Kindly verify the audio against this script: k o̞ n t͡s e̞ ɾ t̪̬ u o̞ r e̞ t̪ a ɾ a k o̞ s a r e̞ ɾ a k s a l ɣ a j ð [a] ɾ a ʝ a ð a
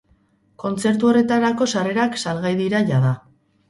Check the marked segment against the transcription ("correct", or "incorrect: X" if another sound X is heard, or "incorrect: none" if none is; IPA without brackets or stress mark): incorrect: i